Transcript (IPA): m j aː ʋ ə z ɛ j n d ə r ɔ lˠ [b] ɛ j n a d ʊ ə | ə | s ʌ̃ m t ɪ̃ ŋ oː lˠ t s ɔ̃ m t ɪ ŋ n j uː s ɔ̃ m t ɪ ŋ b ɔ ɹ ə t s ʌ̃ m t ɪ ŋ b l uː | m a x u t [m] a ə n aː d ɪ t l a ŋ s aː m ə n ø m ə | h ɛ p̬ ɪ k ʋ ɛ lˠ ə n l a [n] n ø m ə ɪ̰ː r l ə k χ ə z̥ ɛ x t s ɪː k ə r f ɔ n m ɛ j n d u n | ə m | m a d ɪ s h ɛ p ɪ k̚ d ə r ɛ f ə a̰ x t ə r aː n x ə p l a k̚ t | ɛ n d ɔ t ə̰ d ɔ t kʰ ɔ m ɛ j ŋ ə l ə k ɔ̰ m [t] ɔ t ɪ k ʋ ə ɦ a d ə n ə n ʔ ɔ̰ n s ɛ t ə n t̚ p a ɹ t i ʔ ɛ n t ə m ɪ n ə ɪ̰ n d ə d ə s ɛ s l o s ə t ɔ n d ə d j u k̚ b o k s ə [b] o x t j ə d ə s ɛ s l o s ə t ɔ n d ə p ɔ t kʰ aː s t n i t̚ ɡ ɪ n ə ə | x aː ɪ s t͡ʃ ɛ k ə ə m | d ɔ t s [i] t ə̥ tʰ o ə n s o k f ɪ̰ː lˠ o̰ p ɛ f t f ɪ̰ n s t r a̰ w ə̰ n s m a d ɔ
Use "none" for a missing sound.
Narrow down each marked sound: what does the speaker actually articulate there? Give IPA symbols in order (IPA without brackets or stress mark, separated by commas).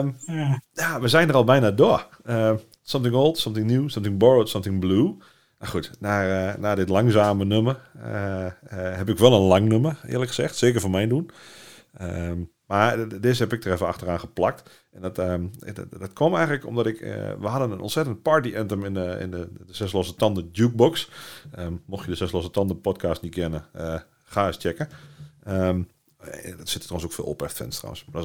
b, n, ŋ, d, m, ɪ